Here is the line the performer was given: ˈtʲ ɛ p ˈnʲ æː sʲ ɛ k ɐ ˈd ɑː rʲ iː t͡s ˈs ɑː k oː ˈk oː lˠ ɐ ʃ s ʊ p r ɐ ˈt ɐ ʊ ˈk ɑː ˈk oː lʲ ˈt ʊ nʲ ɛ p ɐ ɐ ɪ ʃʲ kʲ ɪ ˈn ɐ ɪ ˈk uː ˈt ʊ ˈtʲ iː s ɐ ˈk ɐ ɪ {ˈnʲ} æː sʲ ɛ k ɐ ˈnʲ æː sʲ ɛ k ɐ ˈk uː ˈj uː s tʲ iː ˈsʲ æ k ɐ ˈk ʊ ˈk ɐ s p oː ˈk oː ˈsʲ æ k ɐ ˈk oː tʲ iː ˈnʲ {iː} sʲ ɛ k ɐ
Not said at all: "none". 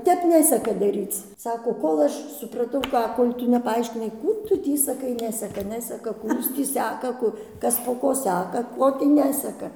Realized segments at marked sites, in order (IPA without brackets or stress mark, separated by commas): nʲ, æː